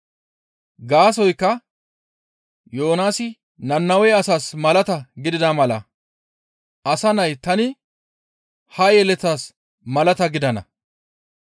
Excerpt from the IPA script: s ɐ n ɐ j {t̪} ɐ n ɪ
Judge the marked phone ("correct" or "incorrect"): correct